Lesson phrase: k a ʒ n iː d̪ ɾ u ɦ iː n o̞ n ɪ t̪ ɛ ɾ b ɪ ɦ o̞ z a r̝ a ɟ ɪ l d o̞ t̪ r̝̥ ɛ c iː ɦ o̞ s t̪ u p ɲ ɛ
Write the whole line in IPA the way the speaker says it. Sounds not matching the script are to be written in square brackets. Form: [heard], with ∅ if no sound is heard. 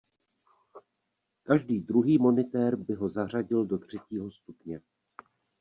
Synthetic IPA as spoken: k a ʒ [d] iː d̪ ɾ u ɦ iː [m] o̞ n ɪ t̪ ɛ ɾ b ɪ ɦ o̞ z a r̝ a ɟ ɪ l d o̞ t̪ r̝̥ ɛ c iː ɦ o̞ s t̪ u p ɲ ɛ